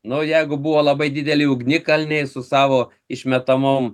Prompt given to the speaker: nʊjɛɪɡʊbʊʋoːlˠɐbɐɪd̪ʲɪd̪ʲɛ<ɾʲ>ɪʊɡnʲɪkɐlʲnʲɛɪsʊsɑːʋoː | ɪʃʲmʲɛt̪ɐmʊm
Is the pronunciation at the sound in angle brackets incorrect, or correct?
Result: incorrect: lʲ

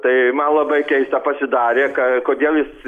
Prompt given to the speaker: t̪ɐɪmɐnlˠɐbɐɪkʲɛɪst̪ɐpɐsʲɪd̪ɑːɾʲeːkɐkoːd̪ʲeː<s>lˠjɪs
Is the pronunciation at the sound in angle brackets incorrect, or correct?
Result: incorrect: none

